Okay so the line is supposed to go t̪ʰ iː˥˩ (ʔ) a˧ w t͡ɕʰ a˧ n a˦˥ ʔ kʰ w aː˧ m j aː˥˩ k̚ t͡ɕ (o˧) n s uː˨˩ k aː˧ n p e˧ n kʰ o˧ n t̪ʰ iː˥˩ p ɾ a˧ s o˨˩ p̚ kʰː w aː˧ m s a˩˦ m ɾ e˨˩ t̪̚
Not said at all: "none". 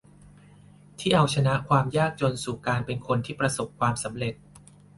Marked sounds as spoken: ʔ, o˧

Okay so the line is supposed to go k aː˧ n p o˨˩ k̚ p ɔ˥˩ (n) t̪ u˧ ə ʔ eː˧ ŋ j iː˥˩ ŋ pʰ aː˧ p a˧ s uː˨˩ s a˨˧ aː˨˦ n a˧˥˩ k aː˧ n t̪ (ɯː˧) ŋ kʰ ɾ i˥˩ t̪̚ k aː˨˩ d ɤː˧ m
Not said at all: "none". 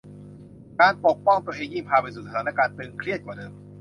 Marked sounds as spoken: ŋ, ɯː˧

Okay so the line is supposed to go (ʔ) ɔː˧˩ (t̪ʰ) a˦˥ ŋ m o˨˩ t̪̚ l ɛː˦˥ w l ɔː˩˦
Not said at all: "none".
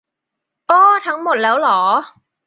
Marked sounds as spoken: ʔ, t̪ʰ

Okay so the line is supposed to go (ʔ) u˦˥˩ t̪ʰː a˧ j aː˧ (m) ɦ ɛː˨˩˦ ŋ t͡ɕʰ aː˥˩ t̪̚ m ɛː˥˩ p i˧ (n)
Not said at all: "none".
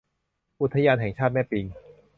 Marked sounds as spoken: ʔ, n, ŋ

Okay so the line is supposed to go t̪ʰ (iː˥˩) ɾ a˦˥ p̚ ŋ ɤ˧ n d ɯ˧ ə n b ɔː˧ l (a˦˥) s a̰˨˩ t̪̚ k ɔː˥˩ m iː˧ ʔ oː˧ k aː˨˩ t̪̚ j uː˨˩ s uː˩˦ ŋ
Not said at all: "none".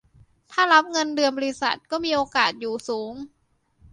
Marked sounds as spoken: aː˥˩, i˦˥

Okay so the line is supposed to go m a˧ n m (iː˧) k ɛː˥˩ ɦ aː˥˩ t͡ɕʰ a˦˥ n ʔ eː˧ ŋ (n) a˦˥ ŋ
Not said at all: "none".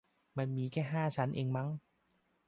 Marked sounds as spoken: iː˧, m

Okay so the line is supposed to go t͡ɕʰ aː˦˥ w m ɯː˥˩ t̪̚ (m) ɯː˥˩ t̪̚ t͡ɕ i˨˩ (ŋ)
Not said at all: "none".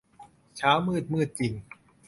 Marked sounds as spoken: m, ŋ

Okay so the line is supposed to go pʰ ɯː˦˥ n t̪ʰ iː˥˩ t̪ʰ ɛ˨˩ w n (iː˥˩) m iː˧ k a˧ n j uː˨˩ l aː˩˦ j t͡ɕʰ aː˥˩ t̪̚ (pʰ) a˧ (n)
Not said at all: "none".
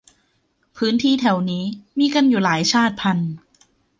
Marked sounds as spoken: iː˦˥, pʰ, n

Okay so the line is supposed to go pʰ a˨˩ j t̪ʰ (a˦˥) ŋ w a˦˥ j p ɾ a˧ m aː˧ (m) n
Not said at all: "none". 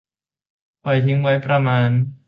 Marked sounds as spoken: i˦˥, none

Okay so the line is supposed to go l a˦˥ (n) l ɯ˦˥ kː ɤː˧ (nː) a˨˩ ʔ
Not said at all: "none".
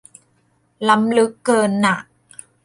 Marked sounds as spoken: m, nː

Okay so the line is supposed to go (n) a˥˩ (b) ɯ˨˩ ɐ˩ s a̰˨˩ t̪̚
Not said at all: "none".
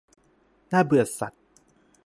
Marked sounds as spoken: n, b

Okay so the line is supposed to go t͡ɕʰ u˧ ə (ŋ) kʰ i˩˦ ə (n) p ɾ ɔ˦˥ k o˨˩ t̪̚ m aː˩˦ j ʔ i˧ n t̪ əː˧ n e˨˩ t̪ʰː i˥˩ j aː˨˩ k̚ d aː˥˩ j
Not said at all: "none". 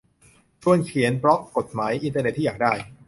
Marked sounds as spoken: n, n

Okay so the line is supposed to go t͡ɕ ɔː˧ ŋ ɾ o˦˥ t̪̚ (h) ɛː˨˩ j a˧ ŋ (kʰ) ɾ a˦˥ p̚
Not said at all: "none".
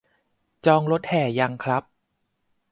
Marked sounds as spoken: h, kʰ

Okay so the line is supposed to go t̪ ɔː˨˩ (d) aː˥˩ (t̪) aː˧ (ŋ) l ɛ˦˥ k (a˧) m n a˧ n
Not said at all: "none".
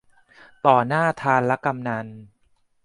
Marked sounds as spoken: n, t̪ʰ, n, a˧

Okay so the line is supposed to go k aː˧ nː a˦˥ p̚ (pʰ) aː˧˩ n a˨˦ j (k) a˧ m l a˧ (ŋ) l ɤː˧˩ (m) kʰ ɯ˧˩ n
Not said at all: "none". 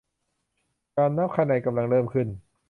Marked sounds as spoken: kʰ, k, ŋ, m

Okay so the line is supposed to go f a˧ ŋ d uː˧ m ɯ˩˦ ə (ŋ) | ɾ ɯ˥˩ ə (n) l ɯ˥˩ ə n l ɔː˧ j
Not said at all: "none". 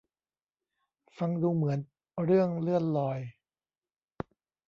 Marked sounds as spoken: n, ŋ

